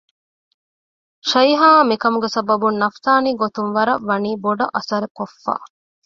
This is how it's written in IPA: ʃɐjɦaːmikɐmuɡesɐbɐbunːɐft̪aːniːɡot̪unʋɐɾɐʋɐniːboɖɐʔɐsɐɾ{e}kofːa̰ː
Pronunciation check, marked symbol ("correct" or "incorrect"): correct